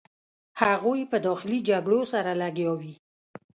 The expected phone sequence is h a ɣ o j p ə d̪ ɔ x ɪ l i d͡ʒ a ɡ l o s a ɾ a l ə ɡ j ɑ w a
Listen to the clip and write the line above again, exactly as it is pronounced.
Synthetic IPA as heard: h a ɣ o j p ə d̪ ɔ x ɪ l i d͡ʒ a ɡ ɽ o s a ɾ a l a ɡ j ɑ w i